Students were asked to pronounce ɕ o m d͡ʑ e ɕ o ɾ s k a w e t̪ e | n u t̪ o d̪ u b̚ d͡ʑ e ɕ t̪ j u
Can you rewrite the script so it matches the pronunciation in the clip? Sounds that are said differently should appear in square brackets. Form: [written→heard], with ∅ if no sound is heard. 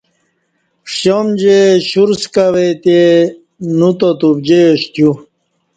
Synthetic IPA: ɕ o m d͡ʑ e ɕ [o→u] ɾ s k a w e t̪ e | n u t̪ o [d̪→t̪] u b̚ d͡ʑ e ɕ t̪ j u